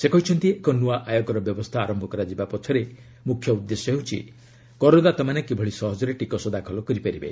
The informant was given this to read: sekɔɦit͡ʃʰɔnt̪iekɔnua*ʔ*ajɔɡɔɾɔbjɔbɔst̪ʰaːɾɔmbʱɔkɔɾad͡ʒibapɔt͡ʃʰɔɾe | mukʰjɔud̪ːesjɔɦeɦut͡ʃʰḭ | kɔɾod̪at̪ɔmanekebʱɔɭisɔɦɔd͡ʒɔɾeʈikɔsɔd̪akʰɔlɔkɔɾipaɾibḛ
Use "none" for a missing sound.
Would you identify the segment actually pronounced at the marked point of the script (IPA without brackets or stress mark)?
ʔ